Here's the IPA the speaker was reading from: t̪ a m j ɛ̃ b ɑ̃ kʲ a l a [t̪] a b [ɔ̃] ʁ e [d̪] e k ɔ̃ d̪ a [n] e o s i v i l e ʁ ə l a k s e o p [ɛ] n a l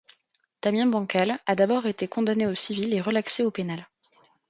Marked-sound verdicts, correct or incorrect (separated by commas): incorrect, incorrect, incorrect, correct, incorrect